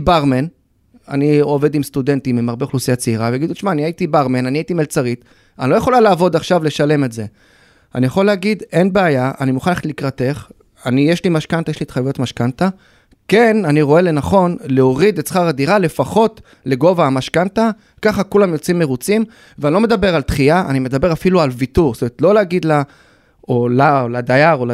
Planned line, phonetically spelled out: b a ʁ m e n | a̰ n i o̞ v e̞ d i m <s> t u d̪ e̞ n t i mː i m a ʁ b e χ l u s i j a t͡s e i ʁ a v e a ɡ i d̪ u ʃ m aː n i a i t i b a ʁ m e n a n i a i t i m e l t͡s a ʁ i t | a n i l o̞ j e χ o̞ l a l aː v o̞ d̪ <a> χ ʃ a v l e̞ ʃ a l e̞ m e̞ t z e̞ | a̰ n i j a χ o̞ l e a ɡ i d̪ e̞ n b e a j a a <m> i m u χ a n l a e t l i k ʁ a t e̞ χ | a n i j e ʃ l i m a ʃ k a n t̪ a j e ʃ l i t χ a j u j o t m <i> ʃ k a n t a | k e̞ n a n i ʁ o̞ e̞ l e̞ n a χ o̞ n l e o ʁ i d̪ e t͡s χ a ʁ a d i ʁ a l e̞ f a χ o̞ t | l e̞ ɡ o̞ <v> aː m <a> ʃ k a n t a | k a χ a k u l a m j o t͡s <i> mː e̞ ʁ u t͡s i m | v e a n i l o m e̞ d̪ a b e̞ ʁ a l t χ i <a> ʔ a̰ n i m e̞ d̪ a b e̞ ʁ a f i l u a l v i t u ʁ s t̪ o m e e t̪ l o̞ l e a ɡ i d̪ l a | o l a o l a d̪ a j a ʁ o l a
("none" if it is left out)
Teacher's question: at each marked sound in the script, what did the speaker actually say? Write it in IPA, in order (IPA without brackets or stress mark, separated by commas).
s, a, n, a, v, a, i, a